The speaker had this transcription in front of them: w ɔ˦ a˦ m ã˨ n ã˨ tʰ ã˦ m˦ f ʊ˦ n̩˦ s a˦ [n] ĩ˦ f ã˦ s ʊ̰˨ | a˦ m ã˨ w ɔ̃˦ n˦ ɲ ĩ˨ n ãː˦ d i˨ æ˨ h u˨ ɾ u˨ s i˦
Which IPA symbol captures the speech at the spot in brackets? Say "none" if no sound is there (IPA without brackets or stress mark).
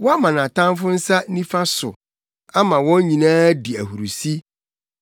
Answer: n